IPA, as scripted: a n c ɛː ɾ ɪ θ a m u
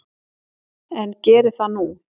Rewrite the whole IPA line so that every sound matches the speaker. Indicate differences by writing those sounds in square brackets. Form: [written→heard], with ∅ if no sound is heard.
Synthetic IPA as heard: [a→ɛ] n c ɛː ɾ ɪ θ a [m→n] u